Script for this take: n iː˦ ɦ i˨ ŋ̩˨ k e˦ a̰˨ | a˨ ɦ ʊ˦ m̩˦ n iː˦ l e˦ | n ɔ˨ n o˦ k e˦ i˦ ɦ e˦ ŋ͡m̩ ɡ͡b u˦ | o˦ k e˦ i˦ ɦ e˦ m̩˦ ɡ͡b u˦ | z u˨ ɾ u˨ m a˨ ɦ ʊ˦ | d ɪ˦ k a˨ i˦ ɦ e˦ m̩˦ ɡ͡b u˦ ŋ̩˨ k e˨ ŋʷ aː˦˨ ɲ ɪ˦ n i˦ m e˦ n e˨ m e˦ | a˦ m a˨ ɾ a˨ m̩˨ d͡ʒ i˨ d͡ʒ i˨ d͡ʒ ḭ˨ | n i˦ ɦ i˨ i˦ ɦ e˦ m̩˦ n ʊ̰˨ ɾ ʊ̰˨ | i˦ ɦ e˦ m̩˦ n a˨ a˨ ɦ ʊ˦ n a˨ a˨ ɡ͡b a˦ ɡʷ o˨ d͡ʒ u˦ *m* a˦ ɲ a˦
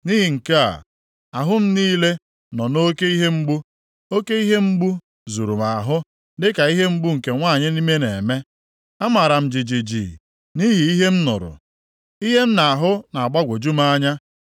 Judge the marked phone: correct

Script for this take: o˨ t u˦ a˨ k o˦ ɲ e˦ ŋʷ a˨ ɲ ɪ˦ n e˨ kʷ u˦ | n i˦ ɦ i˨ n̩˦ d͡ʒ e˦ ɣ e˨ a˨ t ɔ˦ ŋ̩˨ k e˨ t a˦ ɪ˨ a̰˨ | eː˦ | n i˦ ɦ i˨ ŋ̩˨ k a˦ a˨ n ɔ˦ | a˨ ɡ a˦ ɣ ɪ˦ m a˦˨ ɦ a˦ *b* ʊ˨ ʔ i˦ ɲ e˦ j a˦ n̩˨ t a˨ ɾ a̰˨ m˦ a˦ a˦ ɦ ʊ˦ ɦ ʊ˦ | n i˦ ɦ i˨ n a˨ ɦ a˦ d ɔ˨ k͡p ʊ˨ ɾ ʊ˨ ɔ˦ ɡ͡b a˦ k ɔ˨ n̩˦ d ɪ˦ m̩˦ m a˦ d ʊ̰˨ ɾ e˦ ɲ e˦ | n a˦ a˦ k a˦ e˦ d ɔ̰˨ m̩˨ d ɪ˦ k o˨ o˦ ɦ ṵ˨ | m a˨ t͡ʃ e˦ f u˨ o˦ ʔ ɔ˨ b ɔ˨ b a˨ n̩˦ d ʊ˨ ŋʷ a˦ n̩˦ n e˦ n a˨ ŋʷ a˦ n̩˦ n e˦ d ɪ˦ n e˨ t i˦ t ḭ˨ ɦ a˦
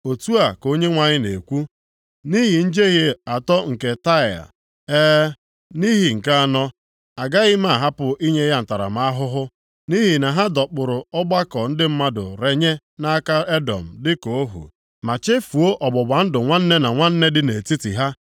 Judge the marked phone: incorrect: p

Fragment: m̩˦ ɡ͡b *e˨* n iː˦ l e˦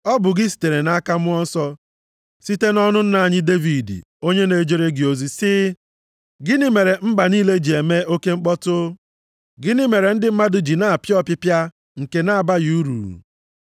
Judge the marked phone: incorrect: a˨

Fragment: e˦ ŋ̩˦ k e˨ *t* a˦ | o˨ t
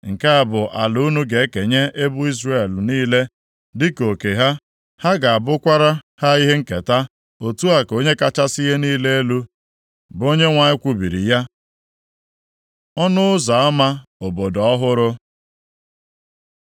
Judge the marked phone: correct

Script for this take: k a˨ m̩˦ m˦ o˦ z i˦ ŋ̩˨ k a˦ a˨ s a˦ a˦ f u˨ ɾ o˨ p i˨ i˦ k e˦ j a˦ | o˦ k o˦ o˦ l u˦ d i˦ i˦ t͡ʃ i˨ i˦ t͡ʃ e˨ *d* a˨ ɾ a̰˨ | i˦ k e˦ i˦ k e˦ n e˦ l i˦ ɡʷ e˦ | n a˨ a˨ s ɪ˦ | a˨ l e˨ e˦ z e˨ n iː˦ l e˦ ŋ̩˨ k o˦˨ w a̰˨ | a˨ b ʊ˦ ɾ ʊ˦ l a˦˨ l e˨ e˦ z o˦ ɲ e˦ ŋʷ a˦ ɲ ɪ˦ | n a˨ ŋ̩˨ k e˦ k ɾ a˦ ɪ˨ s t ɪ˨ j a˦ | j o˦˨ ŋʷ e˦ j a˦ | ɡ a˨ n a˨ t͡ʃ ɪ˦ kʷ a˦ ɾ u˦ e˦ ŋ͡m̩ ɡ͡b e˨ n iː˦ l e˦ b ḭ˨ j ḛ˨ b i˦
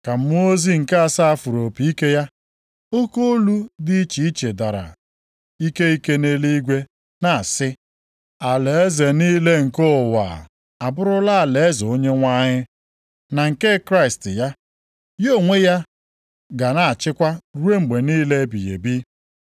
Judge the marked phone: correct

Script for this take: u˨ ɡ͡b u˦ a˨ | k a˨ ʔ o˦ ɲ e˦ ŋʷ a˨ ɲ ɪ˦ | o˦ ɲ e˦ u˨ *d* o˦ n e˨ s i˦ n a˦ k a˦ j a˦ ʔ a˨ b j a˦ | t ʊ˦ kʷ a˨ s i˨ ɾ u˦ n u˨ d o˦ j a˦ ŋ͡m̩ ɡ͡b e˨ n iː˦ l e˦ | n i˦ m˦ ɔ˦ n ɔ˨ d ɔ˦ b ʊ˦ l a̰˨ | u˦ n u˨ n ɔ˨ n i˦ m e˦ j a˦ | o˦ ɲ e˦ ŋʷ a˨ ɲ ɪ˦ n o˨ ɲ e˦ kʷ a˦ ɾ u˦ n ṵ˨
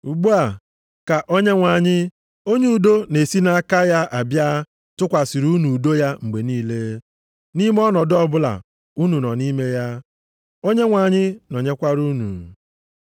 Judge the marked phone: correct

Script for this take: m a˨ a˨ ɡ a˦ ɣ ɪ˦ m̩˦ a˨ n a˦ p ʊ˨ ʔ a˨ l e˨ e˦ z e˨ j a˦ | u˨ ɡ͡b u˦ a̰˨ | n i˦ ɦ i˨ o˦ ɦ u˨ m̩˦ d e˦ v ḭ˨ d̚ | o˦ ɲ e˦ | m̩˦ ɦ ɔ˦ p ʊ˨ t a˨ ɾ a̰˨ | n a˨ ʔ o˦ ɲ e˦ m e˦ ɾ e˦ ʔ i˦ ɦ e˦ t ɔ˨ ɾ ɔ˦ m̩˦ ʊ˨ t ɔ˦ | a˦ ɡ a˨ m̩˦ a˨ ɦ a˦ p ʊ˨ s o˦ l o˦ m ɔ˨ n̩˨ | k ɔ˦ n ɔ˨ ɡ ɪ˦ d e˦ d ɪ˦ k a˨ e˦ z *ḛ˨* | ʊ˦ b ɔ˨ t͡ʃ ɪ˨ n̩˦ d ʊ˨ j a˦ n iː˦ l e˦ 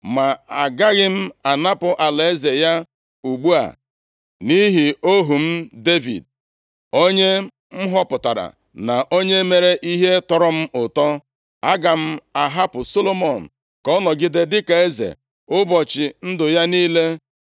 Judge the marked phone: correct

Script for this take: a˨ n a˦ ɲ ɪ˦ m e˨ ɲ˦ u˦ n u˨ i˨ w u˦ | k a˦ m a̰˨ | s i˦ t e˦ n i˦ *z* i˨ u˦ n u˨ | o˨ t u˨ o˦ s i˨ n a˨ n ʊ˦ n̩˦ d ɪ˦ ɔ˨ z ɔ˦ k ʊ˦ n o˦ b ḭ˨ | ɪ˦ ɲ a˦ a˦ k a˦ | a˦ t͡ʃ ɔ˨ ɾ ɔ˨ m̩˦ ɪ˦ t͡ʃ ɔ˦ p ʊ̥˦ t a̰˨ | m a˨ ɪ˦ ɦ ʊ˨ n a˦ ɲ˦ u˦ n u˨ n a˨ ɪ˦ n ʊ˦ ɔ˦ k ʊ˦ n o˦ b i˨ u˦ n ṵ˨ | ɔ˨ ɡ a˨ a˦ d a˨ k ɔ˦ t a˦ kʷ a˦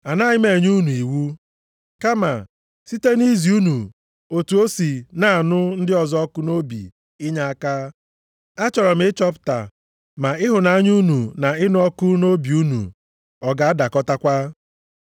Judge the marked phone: correct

